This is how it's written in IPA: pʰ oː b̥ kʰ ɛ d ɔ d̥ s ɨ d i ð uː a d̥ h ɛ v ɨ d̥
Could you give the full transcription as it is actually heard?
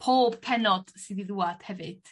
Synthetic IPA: pʰ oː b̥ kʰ ɛ n ɔ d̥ s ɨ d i ð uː a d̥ h ɛ v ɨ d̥

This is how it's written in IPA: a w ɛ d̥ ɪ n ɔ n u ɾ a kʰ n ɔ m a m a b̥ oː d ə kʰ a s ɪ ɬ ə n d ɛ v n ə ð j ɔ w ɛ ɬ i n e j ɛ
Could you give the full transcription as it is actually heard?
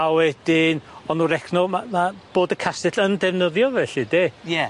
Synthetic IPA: a w ɛ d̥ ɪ n ɔ n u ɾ ɛ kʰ n ɔ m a m a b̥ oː d ə kʰ a s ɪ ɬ ə n d ɛ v n ə ð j ɔ v ɛ ɬ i d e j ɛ

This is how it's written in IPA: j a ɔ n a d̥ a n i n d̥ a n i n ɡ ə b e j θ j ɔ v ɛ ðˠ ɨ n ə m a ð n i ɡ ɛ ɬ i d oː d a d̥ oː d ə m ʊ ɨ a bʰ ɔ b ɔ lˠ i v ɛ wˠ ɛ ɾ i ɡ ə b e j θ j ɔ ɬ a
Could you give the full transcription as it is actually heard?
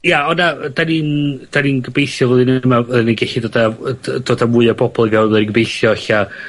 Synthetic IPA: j a ɔ n a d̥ a n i n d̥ a n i n ɡ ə b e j θ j ɔ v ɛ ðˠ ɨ n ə m a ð n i ɡ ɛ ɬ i d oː d a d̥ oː d a m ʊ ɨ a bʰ ɔ b ɔ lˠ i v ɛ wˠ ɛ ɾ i ɡ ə b e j θ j ɔ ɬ a

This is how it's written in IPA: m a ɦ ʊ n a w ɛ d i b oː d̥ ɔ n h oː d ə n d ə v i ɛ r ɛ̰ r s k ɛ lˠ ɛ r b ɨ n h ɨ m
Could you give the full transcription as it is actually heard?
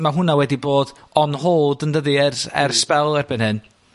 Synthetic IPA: m a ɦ ʊ n a w ɛ d i b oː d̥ ɔ n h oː d ə n d ə ð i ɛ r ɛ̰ r s p ɛ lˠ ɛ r b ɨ n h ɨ n

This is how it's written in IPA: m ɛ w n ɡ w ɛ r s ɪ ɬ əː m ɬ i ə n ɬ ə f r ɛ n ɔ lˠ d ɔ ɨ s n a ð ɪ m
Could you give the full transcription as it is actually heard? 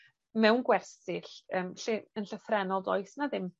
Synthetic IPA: m ɛ w n ɡ w ɛ r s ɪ ɬ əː m ɬ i ə n ɬ ə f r ɛ n ɔ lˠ d ɔ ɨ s n a ð ɪ m

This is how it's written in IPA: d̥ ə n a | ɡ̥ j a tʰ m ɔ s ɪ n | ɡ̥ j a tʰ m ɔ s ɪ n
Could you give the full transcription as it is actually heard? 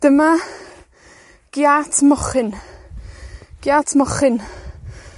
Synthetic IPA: d̥ ə m a | ɡ̥ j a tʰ m ɔ χ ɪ n | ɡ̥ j a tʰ m ɔ χ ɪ n

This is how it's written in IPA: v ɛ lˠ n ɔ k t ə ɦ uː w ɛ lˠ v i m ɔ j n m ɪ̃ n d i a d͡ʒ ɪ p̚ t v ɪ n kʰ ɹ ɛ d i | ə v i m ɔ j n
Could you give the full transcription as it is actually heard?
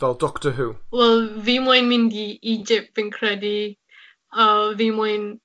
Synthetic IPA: v ɛ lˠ d ɔ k t ə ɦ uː w ɛ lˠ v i m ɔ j n m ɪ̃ n d i i d͡ʒ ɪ p̚ t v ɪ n kʰ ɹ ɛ d i | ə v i m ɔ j n

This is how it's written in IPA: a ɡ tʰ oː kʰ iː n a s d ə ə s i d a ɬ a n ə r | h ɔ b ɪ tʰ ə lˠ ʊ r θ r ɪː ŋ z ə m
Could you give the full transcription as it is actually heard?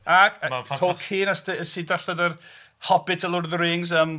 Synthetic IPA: a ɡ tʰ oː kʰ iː n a s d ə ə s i d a ɬ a d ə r | h ɔ b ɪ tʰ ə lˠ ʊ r ð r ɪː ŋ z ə m

